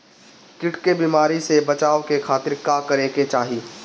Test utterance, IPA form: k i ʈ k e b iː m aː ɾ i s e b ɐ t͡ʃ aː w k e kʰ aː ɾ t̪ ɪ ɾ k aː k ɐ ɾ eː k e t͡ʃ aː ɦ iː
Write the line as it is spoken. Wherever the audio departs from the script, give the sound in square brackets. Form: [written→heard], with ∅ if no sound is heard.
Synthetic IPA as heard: k [i→ɪ] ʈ k e b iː m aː ɾ i s e b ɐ t͡ʃ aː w k e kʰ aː [ɾ→∅] t̪ ɪ ɾ k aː k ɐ ɾ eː k e t͡ʃ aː ɦ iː